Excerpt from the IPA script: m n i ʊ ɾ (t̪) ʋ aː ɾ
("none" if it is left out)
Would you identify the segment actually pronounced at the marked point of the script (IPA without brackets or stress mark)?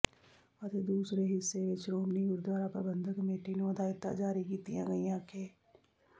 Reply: d̪